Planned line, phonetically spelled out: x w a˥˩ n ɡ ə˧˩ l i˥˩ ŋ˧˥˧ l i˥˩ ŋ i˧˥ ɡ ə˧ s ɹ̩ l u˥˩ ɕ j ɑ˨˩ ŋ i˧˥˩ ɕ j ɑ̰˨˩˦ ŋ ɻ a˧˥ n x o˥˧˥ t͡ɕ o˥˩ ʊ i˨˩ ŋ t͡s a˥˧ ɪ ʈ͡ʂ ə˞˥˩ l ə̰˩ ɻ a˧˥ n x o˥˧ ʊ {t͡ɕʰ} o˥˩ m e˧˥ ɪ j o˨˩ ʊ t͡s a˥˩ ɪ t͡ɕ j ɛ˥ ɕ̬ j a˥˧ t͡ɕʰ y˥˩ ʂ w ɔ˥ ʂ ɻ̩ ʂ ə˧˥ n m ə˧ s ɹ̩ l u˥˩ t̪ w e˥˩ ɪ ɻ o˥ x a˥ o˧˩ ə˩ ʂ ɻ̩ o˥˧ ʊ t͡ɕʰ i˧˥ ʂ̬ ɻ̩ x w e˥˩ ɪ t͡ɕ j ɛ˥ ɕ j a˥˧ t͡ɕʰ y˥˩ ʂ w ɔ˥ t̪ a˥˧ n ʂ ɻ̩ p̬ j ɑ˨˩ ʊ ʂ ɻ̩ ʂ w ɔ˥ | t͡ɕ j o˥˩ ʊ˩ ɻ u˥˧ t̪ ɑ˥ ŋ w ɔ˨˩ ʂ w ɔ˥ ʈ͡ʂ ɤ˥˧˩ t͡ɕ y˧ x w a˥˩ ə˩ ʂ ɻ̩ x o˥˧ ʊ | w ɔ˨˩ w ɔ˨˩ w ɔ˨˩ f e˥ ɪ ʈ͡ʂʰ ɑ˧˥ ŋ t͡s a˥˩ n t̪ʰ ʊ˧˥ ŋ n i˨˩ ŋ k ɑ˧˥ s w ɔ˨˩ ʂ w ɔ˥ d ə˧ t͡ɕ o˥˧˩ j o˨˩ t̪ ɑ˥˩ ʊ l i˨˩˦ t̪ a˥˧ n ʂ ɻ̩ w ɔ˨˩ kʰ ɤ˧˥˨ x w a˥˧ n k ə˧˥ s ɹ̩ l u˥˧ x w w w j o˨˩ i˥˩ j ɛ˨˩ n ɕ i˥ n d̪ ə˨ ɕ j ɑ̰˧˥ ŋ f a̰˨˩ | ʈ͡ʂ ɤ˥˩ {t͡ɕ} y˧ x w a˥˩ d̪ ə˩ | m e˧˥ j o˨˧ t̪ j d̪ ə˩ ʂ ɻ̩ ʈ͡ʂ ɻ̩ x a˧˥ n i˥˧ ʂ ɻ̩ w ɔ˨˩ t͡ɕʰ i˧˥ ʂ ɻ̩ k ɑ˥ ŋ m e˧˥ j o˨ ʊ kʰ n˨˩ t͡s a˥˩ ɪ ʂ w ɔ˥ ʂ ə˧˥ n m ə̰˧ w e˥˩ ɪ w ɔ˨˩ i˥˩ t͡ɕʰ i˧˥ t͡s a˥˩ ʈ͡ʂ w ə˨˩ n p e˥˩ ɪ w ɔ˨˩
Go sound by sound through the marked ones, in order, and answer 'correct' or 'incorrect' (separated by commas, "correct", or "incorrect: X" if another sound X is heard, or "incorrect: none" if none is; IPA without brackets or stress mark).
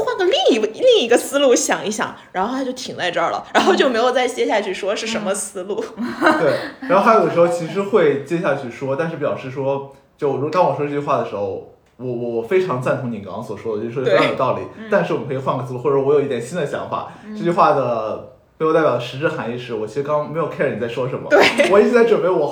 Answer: incorrect: t͡ɕ, correct